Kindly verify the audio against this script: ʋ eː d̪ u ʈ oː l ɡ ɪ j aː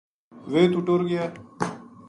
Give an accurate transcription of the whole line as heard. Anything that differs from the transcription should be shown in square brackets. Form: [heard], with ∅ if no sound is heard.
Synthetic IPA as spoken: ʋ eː [t̪] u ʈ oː [ɾ] ɡ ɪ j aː